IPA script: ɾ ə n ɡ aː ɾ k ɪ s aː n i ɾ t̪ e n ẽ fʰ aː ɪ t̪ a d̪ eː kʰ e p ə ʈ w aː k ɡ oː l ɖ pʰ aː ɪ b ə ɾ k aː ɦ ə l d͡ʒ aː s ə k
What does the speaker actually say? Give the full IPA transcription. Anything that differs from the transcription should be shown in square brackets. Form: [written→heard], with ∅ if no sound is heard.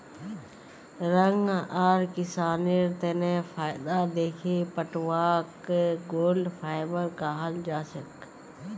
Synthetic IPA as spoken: ɾ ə [n→ŋ] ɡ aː ɾ k ɪ s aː n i ɾ t̪ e n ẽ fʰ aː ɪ [t̪→d̪] a d̪ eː kʰ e p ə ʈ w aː k ɡ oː l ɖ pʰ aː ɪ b ə ɾ k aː ɦ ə l d͡ʒ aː s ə k